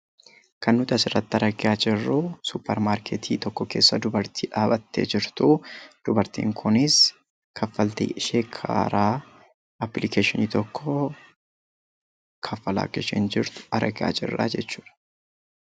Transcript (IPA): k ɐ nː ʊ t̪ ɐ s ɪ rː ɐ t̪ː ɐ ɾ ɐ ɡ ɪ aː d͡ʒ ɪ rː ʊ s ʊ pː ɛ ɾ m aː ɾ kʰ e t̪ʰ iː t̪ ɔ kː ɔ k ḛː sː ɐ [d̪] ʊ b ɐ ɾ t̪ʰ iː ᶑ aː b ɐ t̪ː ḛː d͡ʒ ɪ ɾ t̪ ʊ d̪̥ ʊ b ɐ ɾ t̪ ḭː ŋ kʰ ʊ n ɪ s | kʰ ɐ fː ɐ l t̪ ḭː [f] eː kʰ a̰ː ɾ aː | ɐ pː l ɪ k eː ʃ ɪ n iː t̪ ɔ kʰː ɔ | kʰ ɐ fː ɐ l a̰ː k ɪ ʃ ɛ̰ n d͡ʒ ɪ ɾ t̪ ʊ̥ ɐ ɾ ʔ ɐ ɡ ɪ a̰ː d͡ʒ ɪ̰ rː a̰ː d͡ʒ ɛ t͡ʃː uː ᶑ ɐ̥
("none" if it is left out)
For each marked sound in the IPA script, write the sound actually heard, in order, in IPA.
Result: d̪, ʃ

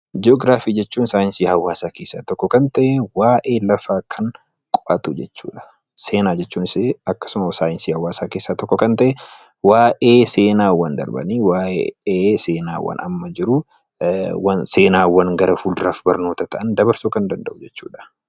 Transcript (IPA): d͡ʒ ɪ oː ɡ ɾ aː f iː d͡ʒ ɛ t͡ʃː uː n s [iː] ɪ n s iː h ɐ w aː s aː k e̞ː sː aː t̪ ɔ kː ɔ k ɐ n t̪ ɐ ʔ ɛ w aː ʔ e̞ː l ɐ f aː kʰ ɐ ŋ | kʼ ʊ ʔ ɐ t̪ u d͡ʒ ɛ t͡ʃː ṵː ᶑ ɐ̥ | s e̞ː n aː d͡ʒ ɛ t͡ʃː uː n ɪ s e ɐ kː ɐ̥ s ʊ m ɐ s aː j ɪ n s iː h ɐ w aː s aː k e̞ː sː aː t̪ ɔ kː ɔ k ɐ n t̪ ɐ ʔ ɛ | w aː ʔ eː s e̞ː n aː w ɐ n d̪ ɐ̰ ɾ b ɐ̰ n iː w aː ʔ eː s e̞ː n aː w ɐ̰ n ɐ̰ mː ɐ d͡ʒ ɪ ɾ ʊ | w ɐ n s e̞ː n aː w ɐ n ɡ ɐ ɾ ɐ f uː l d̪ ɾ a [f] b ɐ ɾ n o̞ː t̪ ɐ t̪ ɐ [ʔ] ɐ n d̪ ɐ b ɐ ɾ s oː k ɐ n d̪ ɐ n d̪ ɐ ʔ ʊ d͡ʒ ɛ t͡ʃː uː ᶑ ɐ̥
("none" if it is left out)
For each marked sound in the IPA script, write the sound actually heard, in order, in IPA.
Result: aː, f, ʔ

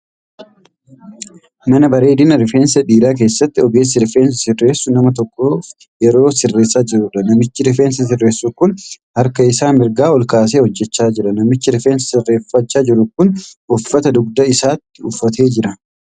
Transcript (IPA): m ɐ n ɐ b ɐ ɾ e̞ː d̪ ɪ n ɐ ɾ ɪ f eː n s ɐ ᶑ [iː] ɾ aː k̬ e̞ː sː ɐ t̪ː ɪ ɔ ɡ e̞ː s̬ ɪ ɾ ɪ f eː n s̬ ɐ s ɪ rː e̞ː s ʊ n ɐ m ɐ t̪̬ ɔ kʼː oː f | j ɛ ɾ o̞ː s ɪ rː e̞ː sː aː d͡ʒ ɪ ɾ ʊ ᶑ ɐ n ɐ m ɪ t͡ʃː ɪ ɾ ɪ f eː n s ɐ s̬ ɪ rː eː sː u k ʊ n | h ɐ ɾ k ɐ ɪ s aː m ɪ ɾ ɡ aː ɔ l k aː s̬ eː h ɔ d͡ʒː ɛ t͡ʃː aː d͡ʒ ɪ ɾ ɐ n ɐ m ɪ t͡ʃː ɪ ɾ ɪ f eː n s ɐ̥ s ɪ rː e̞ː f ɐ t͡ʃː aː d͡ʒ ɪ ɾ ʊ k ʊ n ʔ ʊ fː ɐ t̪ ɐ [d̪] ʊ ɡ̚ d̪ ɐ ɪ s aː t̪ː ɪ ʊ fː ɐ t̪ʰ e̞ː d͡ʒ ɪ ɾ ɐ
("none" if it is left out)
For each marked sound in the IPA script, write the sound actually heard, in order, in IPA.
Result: iː, d̪

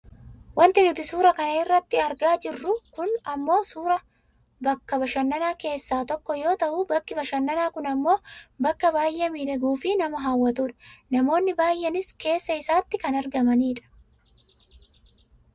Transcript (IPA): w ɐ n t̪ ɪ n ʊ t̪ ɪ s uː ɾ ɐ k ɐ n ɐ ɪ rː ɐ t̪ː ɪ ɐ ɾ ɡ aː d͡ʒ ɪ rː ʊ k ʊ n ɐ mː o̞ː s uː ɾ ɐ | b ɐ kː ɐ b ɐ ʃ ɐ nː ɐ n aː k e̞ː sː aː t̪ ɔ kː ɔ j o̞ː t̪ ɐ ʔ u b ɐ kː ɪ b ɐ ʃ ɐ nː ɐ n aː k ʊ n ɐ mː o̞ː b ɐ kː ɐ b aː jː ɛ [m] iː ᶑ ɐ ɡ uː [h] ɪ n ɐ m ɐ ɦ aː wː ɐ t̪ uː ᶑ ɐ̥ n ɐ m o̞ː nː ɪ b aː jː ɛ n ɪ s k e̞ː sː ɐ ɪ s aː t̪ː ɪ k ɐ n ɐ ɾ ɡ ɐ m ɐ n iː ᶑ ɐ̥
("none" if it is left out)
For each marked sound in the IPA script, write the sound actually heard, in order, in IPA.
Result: m, f

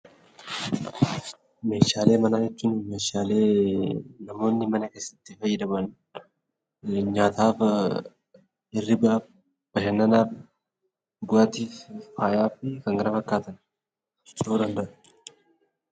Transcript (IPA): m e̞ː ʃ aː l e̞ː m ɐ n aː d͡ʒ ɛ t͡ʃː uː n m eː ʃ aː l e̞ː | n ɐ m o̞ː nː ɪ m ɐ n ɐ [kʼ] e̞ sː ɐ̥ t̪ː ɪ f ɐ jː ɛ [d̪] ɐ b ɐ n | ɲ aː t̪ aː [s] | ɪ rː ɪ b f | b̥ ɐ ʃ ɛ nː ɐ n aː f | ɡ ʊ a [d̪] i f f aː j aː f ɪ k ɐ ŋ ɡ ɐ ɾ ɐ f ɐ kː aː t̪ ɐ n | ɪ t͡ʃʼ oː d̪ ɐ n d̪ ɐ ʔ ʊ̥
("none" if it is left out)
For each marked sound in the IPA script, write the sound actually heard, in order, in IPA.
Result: k, d̪, f, t̪

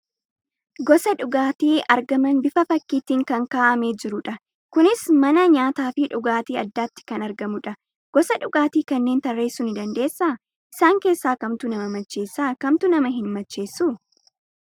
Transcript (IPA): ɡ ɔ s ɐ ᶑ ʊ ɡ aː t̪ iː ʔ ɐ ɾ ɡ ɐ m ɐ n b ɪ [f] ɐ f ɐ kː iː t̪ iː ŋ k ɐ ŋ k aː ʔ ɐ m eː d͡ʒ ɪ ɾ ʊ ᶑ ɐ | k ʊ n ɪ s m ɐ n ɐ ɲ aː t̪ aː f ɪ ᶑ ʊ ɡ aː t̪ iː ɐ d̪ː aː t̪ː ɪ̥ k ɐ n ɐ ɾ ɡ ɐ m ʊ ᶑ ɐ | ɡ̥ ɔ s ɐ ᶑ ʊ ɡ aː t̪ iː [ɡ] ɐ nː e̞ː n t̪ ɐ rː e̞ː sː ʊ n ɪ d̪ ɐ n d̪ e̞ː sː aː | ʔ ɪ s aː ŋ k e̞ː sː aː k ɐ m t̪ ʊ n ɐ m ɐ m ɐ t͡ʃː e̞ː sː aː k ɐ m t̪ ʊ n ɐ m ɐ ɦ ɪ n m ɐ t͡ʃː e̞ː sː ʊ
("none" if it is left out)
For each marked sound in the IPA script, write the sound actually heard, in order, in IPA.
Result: f, k

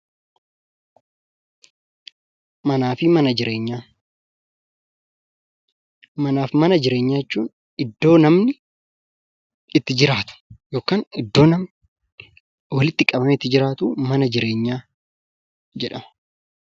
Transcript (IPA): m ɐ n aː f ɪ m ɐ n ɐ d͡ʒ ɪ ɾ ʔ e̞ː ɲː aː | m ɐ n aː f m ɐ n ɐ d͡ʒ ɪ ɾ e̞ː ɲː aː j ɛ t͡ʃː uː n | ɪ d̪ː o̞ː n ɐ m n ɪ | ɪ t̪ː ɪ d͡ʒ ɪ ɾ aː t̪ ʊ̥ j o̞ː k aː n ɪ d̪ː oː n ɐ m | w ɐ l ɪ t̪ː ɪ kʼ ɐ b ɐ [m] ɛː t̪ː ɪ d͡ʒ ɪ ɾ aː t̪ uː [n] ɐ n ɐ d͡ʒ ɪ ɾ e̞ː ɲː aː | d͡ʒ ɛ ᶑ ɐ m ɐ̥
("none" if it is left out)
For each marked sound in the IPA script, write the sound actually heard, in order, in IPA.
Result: m, m

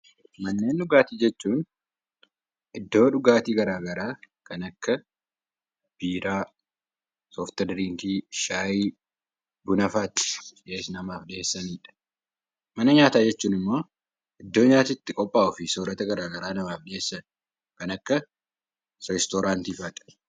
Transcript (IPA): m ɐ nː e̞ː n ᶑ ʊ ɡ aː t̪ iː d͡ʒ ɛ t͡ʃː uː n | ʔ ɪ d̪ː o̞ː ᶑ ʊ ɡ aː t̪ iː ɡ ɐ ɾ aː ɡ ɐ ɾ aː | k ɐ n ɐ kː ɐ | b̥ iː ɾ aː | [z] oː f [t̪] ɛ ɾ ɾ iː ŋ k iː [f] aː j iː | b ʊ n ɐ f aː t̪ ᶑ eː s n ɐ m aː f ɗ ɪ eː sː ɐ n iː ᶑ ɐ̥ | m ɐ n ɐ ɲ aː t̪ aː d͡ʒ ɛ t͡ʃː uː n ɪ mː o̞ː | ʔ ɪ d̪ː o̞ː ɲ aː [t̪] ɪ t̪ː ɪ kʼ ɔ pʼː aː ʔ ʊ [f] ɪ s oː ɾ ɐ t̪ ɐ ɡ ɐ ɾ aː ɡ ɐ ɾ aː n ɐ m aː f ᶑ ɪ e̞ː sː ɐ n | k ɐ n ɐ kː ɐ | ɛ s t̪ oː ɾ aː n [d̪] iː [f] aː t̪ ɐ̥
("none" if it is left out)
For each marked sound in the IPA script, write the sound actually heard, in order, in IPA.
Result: s, t̪, ʃ, t̪, f, t̪, f

